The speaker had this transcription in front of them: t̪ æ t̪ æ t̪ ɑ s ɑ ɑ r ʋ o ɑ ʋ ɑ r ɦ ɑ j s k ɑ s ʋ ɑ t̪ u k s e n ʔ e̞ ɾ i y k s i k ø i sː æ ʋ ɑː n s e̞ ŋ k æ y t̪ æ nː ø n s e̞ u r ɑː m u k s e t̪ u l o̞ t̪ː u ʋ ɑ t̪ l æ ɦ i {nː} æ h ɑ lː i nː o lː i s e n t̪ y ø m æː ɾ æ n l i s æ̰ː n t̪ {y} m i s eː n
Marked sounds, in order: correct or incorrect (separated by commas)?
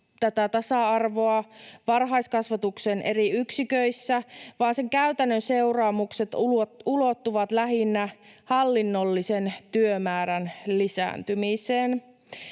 correct, correct